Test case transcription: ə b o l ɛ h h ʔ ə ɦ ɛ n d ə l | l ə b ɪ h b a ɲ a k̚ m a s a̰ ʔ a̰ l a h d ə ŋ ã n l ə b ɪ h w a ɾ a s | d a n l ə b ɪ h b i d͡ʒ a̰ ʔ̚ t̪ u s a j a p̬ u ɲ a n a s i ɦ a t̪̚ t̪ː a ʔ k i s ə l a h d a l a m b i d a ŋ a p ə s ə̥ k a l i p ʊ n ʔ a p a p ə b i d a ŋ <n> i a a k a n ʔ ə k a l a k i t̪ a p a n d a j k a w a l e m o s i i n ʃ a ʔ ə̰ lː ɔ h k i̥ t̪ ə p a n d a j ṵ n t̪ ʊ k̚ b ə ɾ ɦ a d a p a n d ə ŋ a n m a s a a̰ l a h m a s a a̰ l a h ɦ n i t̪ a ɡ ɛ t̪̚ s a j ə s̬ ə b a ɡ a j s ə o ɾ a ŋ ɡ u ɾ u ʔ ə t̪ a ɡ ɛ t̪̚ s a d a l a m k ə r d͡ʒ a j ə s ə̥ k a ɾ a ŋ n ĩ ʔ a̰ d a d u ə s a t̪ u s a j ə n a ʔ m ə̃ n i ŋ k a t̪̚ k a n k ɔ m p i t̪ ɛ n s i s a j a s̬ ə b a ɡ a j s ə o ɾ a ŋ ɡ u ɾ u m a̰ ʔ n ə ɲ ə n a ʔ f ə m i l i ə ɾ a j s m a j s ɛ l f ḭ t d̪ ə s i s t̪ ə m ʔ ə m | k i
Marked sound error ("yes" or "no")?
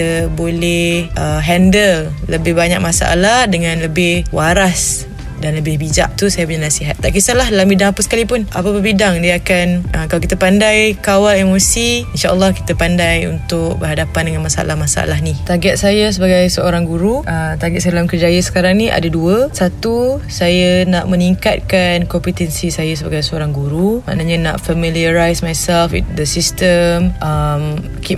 yes